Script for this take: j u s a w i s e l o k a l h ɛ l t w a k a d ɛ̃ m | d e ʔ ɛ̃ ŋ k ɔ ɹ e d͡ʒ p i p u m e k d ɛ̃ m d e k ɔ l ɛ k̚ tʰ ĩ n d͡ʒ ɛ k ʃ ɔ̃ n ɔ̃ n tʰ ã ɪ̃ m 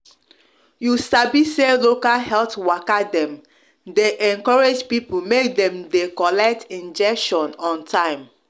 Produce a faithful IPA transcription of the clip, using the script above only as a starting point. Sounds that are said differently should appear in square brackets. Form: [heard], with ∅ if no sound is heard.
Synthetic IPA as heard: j u s a [b] i s e l o k a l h ɛ l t w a k a d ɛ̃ m | d e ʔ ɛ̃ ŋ k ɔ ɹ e d͡ʒ p i p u m e k d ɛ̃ m d e k ɔ l ɛ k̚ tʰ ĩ n d͡ʒ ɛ k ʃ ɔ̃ n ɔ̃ n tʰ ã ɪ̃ m